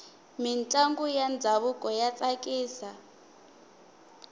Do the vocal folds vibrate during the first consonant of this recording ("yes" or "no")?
yes